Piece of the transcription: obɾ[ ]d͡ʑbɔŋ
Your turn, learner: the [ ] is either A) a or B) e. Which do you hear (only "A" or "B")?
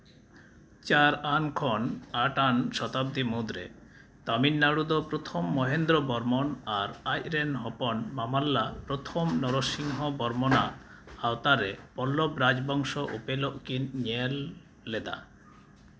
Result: A